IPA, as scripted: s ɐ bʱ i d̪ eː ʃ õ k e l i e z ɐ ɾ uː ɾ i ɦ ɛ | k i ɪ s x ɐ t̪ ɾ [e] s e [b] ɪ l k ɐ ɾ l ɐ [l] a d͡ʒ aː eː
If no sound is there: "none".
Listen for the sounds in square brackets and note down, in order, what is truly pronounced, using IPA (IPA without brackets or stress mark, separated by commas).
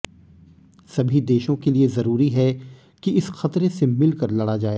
e, m, ɽ